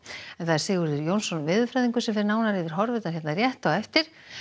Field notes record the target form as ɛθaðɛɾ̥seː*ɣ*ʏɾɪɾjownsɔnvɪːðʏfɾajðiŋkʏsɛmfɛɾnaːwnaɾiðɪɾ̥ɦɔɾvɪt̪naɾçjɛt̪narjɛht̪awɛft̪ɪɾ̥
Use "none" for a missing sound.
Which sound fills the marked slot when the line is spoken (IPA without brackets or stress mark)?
ɣ